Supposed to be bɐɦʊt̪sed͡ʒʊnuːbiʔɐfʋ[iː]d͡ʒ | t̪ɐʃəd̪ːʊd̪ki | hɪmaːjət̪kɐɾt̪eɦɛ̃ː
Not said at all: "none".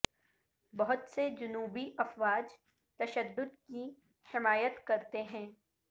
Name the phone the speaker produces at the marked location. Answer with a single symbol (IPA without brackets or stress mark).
aː